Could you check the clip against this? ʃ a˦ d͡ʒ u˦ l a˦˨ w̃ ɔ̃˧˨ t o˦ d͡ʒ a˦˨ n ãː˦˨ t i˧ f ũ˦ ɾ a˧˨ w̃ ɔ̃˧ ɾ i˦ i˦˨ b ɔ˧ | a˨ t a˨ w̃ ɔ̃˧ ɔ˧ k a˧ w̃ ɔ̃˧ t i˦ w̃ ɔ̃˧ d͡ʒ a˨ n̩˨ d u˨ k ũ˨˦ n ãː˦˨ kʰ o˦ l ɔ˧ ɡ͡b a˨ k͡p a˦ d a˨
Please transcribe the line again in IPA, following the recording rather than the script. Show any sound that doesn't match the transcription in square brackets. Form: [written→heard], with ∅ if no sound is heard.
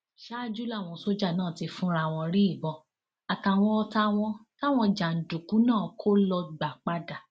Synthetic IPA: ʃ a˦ d͡ʒ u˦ l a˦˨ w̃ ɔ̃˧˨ [t→s] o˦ d͡ʒ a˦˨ n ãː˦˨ t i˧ f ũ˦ ɾ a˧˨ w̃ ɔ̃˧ ɾ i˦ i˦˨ b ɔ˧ | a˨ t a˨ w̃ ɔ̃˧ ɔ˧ [k→t] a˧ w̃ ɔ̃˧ t [i˦→a˦] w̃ ɔ̃˧ d͡ʒ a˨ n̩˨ d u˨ k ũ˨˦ n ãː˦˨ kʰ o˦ l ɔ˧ ɡ͡b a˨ k͡p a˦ d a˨